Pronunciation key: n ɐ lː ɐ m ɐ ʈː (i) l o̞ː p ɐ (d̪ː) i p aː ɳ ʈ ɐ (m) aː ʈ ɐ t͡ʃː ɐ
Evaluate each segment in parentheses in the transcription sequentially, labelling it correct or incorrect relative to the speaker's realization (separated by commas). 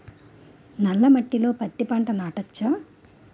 correct, incorrect, incorrect